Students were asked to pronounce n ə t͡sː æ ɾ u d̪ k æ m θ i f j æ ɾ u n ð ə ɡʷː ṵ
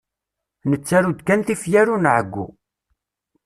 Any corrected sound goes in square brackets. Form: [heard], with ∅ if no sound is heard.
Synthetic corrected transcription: n ə t͡sː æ ɾ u d̪ k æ [n] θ i f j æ ɾ u n [ʕ] ə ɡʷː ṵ